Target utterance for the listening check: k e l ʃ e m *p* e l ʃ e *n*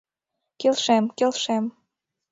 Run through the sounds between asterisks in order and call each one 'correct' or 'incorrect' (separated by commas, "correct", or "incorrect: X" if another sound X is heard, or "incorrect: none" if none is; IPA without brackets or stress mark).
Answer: incorrect: k, incorrect: m